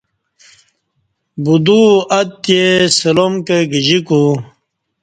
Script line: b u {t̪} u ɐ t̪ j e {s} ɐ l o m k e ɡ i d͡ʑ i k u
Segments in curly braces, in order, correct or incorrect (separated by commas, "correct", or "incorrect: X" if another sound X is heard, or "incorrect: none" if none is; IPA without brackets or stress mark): incorrect: d̪, correct